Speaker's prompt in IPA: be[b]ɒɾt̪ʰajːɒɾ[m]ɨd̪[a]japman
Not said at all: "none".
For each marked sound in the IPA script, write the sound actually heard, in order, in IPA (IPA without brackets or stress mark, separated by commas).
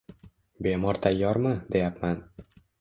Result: m, m, e